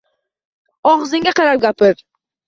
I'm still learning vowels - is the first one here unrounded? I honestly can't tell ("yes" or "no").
no